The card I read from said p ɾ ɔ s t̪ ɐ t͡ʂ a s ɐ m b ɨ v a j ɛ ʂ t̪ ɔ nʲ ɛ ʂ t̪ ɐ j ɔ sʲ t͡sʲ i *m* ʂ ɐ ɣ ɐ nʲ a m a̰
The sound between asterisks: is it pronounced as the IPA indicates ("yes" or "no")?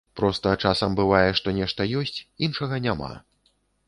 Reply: no